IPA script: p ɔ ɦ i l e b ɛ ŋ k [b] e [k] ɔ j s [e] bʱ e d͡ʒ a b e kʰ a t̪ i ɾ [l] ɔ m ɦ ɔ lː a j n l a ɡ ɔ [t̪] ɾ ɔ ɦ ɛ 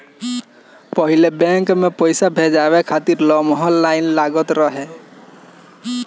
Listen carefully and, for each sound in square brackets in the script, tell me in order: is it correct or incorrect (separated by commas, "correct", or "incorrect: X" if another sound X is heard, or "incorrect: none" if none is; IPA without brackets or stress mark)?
incorrect: m, incorrect: p, incorrect: a, correct, correct